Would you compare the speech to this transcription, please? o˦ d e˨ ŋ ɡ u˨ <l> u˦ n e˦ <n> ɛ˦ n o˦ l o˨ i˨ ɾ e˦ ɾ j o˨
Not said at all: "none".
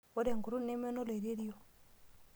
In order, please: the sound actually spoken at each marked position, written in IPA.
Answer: ɾ, m

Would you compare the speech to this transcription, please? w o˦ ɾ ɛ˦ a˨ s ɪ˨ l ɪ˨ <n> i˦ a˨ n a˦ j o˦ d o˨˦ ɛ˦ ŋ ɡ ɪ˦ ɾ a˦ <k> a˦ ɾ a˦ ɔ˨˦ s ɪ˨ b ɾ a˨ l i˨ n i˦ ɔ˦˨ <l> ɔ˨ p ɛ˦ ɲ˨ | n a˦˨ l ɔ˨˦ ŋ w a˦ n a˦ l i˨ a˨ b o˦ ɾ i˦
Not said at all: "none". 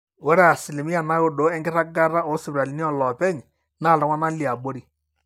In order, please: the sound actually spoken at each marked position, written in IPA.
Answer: m, ɡ, l

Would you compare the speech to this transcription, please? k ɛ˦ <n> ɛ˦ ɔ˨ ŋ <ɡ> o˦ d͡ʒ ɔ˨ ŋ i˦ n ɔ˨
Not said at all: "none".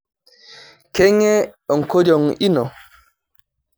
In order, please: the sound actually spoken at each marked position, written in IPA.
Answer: ŋ, k

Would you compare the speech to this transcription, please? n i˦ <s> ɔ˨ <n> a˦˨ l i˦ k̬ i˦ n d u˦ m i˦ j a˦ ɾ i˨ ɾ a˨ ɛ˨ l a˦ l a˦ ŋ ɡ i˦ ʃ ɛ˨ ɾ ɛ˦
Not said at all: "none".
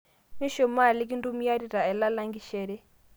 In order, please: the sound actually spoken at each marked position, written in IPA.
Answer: ʃ, m

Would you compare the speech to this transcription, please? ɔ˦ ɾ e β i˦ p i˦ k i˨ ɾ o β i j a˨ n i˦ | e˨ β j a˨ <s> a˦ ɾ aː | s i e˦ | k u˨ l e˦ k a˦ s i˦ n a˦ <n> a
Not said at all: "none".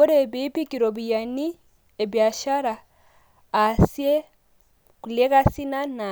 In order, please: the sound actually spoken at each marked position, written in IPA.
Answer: ʃ, n

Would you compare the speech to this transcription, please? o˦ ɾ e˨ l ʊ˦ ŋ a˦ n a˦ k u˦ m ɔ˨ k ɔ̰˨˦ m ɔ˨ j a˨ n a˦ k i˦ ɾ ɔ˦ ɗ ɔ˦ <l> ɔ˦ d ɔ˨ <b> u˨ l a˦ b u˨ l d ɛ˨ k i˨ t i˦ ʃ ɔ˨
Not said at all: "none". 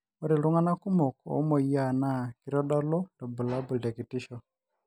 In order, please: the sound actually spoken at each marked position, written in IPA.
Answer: l, b

